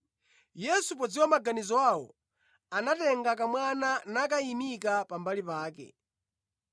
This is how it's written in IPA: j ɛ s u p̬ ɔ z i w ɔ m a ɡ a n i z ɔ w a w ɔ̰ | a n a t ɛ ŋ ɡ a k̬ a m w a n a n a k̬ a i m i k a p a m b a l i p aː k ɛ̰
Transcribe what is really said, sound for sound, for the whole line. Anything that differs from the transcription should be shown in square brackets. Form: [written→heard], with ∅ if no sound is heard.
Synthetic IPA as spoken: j ɛ s u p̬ ɔ [z→d͡z] i w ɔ m a ɡ a n i z ɔ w a w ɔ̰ | a n a t ɛ ŋ ɡ a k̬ a m w a n a n a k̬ a i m i k a p a m b a l i p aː k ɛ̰